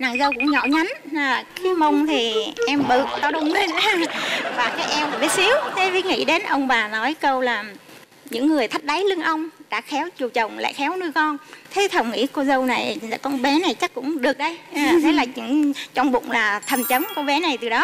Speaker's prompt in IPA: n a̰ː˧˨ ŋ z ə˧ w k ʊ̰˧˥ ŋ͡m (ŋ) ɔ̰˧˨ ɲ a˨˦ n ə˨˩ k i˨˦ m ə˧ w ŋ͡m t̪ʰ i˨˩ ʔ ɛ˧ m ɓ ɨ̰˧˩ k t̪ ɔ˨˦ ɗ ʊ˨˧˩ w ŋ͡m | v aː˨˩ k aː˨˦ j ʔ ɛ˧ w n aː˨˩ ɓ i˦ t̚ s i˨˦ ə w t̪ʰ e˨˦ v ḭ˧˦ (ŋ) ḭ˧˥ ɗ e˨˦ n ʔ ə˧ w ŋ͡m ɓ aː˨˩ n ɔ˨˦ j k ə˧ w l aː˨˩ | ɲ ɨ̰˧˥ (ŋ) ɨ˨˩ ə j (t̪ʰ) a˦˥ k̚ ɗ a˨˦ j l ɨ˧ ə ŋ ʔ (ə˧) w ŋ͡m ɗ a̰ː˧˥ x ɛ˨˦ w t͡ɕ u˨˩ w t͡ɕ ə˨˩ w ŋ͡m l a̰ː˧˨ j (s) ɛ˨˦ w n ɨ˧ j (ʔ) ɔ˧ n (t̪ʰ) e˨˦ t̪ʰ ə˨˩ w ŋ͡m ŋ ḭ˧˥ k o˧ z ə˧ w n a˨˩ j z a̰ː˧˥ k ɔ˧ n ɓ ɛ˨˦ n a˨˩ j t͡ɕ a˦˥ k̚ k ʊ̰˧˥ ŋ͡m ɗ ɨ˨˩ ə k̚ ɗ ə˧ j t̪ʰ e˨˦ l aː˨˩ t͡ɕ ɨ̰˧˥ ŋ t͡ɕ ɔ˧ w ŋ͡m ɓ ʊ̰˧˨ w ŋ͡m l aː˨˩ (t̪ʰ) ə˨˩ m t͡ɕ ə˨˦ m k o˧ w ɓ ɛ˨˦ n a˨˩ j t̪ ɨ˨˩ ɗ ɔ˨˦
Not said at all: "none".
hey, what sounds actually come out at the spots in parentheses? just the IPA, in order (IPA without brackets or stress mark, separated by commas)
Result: ɲ, ŋ, ŋː, t̪ʰ, ə˧, x, k, t̪ʰ, t̪ʰ